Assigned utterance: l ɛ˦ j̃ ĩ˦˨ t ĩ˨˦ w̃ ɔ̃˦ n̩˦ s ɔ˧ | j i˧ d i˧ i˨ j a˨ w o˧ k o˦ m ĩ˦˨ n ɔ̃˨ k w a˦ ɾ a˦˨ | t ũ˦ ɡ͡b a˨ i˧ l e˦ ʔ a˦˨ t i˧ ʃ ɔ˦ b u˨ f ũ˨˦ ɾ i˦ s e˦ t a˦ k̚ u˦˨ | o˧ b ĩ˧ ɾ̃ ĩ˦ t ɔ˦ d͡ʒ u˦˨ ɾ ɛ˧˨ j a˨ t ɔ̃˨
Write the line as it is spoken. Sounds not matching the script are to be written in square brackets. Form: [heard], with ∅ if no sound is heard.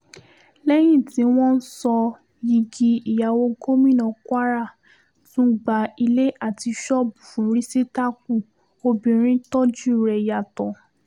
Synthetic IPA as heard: l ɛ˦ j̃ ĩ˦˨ t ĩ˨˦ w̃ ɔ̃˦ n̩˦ s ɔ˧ | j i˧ [ɡ] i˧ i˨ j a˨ w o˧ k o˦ m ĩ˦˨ n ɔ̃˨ k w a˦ ɾ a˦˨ | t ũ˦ ɡ͡b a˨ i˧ l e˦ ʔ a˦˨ t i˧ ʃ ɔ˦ b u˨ f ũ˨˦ ɾ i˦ s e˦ t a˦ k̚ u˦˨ | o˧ b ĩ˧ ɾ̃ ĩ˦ t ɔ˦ d͡ʒ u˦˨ ɾ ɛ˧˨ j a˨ t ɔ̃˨